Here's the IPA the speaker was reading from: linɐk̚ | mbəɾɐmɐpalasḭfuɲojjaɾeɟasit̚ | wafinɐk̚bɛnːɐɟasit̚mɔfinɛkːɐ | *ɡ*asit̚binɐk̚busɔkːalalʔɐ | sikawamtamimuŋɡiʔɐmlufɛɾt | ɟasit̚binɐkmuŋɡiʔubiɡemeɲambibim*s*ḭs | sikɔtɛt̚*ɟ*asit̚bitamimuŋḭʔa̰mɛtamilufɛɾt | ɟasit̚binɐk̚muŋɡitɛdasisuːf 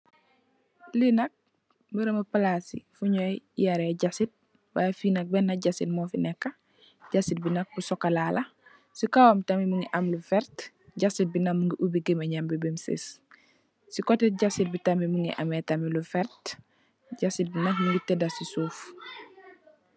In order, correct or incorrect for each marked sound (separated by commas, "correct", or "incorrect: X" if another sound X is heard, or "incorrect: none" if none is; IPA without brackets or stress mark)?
incorrect: ɟ, correct, correct